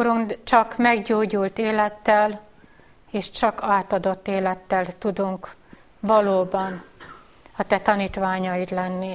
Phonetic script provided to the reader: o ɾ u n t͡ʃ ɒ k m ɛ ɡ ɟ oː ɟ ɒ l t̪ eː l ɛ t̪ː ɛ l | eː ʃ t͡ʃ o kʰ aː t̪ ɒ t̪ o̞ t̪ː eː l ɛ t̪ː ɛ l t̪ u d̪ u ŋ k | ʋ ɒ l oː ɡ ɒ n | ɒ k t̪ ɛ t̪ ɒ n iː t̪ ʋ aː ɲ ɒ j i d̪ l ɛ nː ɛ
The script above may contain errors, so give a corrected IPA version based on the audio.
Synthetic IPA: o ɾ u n t͡ʃ ɒ k m ɛ ɡ ɟ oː ɟ u l t̪ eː l ɛ t̪ː ɛ l | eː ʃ t͡ʃ ɒ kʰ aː t̪ ɒ d̪ o̞ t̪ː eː l ɛ t̪ː ɛ l t̪ u d̪ u ŋ k | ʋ ɒ l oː b ɒ n | ɒ t̪ ɛ t̪ ɒ n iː t̪ ʋ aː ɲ ɒ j i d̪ l ɛ nː i